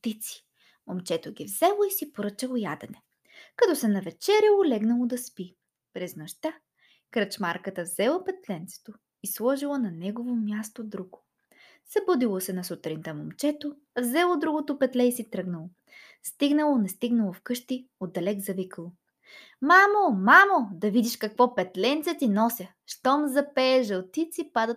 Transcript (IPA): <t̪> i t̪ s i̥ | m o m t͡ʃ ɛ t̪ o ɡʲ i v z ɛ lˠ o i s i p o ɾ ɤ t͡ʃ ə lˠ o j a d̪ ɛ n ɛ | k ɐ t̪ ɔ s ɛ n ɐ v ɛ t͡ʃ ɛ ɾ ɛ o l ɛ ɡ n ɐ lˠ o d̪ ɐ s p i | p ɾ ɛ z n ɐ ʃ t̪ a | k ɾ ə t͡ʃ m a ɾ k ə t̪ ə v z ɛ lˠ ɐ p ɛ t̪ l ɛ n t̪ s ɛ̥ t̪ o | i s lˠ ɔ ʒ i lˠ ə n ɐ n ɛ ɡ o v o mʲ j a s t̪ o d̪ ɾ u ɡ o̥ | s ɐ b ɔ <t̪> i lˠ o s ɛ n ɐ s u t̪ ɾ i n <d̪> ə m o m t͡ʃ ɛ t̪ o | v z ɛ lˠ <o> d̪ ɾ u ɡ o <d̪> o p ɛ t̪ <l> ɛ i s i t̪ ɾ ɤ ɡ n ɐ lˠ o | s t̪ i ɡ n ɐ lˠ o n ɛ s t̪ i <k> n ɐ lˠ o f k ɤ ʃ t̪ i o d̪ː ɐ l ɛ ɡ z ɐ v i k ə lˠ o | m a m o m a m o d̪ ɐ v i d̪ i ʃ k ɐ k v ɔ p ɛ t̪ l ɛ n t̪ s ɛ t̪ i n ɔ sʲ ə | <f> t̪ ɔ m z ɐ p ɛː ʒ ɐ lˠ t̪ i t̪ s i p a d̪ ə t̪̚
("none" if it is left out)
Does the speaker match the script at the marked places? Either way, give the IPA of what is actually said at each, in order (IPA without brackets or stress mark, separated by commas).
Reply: t̪, d̪, t̪, o, t̪, l, ɡ, ʃ